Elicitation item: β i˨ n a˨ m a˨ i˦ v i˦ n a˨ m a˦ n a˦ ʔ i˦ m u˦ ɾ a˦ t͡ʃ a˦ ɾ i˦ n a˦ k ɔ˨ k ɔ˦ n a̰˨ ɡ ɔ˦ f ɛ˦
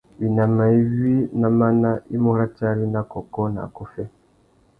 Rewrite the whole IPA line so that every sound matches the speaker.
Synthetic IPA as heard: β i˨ n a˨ m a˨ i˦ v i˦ n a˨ m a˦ n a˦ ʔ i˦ m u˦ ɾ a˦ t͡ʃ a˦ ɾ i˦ n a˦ k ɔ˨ k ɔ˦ n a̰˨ k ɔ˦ f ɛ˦